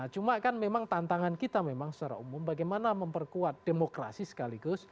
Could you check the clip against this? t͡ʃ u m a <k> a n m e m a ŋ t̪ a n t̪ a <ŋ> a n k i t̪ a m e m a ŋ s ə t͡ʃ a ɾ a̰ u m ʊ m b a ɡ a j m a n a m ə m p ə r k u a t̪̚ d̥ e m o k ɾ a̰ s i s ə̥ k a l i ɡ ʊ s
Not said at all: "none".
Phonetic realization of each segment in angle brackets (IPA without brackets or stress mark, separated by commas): k, ŋ